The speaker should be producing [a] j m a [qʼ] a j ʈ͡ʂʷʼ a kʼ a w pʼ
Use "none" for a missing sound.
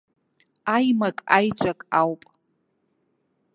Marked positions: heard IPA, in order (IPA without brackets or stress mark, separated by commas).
a, kʼ